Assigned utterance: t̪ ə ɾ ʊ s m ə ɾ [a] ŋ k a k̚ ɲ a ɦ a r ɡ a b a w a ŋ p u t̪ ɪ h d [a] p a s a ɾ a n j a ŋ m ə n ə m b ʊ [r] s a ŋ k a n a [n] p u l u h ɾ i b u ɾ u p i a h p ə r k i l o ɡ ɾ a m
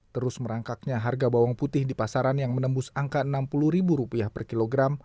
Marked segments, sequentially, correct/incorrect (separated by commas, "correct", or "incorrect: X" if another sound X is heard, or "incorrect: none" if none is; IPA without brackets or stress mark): correct, incorrect: i, incorrect: none, incorrect: m